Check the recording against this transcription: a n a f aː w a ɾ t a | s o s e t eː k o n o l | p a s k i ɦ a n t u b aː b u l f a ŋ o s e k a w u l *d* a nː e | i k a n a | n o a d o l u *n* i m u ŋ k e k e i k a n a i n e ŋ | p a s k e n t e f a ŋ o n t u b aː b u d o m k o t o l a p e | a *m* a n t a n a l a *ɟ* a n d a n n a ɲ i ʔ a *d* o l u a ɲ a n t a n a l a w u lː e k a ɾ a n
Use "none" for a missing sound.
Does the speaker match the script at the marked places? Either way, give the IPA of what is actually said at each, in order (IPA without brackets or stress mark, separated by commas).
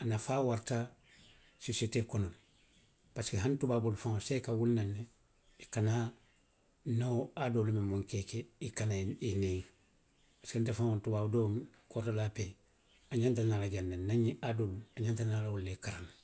n, m, ɲ, ɟ, d